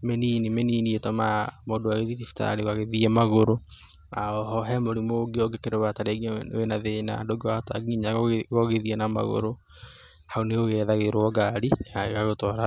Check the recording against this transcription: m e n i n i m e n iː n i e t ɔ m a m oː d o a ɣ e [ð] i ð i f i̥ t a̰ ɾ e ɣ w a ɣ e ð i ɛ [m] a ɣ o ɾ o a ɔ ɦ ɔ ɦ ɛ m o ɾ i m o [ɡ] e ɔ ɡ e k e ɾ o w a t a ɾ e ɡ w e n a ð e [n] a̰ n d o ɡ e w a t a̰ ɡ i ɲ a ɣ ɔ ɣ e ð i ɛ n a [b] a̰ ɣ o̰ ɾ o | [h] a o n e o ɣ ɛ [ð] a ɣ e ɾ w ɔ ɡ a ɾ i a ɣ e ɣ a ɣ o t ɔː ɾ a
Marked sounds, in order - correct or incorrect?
correct, correct, correct, correct, incorrect, correct, correct

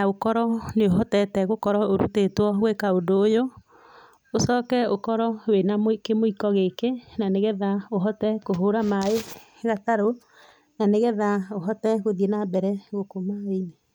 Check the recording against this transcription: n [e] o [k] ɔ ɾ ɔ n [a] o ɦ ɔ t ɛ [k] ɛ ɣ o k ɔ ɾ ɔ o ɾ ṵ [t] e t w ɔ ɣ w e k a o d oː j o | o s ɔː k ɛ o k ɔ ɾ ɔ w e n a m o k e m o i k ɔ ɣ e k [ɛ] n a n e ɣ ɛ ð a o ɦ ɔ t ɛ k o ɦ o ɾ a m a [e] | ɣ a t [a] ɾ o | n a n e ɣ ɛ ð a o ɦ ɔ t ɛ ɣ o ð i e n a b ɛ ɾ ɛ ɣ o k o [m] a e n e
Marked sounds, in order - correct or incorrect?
incorrect, correct, incorrect, incorrect, correct, incorrect, correct, correct, correct

